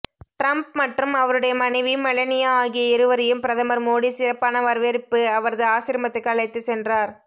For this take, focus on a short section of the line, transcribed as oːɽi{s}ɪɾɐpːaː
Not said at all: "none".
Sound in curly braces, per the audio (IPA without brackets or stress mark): s